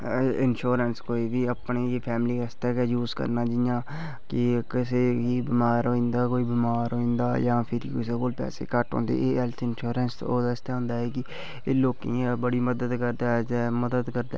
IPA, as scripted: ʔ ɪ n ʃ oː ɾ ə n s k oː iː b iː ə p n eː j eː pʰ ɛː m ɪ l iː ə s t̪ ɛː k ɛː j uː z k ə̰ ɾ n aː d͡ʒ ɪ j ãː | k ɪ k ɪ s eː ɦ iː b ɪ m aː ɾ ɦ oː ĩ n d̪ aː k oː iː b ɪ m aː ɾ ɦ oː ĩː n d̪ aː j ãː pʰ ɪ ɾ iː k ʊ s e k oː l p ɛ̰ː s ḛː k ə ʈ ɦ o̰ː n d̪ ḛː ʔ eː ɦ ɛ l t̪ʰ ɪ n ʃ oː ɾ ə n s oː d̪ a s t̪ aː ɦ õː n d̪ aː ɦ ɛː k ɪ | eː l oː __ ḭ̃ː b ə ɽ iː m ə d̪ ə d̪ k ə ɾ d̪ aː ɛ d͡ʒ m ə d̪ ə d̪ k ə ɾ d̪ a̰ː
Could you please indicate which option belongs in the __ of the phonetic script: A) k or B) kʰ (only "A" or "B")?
A